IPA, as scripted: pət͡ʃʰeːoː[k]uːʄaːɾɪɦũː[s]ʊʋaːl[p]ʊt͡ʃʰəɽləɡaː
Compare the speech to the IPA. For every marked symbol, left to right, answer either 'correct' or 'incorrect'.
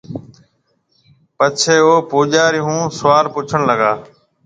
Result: incorrect: p, correct, correct

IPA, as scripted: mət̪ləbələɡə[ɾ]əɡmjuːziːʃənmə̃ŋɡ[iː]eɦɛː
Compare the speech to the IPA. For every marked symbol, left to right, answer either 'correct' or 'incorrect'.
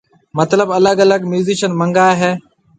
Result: incorrect: l, incorrect: aː

